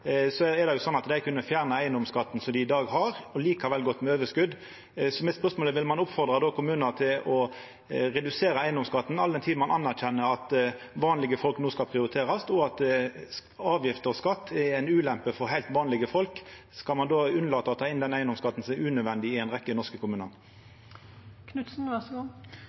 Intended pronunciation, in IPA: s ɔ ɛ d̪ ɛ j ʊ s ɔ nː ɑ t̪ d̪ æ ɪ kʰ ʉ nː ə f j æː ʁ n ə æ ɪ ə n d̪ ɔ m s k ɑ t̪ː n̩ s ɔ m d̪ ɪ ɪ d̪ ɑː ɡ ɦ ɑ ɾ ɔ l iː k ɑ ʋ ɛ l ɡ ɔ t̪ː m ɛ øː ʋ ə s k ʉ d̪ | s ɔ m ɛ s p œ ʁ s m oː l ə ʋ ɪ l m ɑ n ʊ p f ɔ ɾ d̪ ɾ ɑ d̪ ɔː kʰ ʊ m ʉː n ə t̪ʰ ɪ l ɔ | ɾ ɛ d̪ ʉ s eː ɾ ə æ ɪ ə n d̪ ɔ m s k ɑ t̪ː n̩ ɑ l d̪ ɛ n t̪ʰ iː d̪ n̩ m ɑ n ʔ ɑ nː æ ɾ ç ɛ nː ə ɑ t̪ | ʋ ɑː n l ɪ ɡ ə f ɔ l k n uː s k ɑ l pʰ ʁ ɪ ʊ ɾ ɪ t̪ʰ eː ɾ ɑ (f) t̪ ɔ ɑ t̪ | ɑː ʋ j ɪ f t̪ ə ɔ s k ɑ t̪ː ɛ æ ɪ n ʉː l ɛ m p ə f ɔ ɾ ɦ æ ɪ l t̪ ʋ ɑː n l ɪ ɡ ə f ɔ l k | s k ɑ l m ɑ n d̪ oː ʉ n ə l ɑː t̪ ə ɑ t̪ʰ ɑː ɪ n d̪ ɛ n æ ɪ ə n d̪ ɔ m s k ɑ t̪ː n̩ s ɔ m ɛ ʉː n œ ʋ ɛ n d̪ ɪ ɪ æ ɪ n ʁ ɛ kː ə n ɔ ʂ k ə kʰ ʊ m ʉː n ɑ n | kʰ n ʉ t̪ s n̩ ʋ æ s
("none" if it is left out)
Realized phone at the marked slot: s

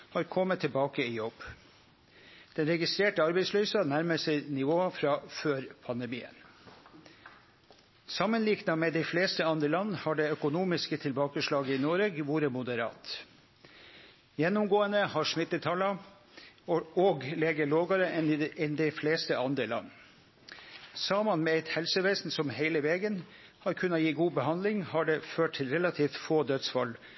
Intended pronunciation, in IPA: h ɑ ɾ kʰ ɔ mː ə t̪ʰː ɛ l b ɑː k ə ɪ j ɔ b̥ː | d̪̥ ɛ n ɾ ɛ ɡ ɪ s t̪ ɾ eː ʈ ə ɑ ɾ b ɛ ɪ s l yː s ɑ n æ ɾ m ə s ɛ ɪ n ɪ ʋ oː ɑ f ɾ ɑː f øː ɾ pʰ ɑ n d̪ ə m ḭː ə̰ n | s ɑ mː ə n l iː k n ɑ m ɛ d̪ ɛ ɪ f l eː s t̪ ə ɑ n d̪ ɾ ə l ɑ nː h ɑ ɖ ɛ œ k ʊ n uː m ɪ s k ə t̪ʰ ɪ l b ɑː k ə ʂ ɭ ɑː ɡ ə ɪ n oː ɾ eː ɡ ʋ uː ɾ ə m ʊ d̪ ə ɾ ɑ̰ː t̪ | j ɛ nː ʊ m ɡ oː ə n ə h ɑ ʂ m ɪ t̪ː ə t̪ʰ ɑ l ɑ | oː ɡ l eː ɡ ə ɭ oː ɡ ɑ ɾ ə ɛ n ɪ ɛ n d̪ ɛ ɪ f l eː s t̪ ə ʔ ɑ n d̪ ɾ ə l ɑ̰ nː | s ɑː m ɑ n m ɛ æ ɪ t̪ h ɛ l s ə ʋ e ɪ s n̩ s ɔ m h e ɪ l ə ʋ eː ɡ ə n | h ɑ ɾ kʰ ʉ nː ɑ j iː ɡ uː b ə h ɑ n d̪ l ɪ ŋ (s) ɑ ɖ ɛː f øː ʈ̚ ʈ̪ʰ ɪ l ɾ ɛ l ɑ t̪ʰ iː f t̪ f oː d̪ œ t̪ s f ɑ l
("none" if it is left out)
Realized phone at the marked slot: h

